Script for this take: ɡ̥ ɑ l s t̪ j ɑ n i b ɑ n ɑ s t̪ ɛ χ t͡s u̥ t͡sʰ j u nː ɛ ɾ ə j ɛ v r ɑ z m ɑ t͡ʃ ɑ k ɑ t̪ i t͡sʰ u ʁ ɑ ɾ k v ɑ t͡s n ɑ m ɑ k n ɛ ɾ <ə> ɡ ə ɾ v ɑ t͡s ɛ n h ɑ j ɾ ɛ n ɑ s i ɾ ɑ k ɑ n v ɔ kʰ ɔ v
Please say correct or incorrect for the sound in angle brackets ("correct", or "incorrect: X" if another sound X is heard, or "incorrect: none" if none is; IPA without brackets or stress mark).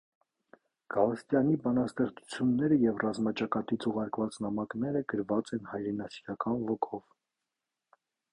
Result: correct